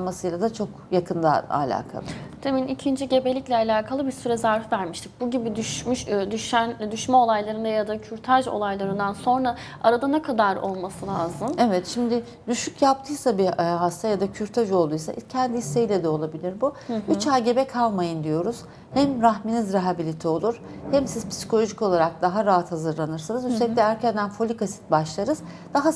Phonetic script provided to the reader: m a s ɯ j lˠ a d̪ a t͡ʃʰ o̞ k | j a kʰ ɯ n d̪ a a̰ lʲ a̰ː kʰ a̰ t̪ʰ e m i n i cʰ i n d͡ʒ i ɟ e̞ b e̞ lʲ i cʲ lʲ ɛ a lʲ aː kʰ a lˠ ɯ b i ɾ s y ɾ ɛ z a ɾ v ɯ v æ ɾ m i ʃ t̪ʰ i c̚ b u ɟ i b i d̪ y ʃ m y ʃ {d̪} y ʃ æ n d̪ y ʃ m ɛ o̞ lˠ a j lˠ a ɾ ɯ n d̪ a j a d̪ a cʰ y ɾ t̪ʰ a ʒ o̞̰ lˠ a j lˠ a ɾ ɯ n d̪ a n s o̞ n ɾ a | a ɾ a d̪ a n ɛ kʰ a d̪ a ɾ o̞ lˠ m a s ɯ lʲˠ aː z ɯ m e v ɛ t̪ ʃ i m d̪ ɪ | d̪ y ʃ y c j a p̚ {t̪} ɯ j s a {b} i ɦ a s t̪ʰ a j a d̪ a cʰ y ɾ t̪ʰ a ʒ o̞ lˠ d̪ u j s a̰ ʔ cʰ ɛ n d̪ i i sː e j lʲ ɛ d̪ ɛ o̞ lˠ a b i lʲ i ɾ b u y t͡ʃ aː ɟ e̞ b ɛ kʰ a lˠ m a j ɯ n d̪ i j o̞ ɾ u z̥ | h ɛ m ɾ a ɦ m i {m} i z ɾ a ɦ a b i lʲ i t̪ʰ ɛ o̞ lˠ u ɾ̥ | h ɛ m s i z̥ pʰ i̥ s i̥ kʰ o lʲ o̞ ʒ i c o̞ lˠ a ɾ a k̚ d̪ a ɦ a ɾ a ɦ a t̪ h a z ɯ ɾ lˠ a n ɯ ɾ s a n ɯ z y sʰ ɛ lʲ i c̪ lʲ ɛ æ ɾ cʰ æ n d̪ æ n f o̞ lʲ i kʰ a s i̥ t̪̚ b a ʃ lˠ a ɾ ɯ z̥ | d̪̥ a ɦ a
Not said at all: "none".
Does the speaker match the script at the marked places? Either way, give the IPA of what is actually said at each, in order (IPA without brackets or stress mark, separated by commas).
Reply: d̪, t̪ʰ, b, n